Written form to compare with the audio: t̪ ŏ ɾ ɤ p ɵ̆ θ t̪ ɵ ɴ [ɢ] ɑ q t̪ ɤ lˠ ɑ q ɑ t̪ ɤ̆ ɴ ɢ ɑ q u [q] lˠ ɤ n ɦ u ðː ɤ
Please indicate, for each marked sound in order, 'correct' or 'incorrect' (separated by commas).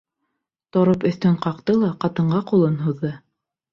incorrect, incorrect